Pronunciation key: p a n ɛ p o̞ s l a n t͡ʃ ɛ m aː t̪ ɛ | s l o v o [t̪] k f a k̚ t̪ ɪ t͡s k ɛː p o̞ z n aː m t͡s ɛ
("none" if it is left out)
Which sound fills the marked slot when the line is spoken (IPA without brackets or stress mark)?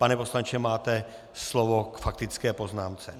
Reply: none